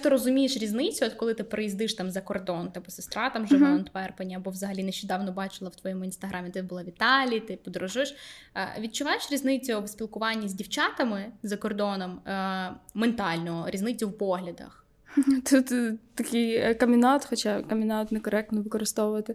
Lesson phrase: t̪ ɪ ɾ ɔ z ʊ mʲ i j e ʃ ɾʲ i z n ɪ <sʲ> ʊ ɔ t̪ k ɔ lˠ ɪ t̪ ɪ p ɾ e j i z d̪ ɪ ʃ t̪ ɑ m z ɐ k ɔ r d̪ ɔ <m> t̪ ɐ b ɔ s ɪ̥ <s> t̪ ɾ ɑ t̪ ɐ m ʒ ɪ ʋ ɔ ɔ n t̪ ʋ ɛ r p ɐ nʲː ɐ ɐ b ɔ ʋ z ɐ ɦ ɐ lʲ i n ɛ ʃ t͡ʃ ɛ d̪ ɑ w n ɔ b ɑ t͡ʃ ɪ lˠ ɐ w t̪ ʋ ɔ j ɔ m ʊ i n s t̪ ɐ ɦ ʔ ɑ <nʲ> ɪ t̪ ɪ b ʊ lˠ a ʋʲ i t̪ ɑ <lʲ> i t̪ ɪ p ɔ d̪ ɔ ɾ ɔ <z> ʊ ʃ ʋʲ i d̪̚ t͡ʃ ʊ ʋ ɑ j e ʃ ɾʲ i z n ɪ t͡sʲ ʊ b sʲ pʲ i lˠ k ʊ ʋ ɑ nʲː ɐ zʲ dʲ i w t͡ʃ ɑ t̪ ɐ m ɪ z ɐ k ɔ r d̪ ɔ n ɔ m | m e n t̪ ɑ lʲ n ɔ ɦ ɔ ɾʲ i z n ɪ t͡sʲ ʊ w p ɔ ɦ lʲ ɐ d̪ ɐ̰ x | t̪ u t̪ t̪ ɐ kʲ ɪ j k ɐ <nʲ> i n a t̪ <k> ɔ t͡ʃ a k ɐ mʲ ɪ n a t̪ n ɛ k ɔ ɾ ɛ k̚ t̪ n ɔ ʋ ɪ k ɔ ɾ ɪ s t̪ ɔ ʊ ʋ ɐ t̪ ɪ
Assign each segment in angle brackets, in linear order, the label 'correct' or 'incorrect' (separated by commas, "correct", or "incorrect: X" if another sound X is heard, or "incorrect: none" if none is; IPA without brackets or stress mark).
incorrect: t͡sʲ, incorrect: n, correct, incorrect: mʲ, correct, incorrect: ʒ, incorrect: mʲ, incorrect: x